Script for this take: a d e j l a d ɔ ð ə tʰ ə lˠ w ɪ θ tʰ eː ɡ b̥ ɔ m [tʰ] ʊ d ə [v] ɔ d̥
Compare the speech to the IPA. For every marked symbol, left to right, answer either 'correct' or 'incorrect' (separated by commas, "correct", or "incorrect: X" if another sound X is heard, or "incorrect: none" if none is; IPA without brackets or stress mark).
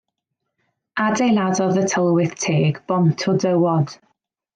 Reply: correct, incorrect: w